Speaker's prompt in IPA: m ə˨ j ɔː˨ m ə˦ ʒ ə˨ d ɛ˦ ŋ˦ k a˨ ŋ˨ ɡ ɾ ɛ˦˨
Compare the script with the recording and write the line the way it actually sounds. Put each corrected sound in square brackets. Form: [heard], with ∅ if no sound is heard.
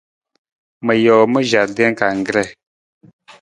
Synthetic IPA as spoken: m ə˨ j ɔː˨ m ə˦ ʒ [a˨] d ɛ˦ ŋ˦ k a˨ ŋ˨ ɡ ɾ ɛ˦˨